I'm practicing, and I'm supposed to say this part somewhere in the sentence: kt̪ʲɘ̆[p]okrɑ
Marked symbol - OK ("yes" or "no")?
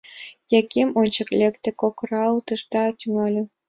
no